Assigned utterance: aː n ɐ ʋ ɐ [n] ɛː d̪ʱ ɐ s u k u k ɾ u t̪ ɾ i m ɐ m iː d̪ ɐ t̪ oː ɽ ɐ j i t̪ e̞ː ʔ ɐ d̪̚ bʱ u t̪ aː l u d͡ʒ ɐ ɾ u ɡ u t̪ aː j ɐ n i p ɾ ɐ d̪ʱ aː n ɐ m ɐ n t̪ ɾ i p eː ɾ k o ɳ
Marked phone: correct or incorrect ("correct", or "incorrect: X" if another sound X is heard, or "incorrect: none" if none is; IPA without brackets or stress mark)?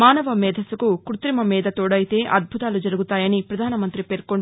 incorrect: m